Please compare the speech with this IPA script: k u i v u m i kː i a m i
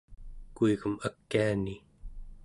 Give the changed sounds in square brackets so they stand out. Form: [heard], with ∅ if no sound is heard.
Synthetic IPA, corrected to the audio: k u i [ɣ] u m [a] kː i a [n] i